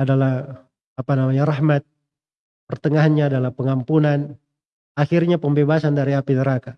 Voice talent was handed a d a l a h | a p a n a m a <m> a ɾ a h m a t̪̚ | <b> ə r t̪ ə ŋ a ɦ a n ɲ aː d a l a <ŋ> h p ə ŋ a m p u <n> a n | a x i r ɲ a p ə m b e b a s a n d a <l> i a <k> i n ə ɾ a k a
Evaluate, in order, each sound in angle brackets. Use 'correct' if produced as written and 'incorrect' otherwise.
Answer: incorrect, incorrect, incorrect, correct, incorrect, incorrect

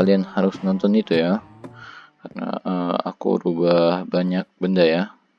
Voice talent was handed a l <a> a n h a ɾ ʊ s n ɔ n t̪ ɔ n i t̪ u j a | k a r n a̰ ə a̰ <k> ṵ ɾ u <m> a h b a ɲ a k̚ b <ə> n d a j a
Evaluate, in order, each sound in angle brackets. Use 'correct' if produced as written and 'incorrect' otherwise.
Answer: incorrect, correct, incorrect, correct

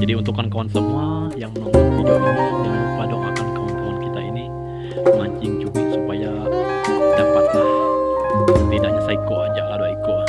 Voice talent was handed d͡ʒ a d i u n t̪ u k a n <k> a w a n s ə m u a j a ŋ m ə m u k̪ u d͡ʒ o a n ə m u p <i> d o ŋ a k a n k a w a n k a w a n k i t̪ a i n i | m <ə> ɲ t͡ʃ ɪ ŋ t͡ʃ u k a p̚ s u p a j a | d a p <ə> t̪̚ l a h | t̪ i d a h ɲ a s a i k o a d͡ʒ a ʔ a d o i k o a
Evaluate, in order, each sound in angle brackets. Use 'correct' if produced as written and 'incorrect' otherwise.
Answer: correct, incorrect, incorrect, incorrect

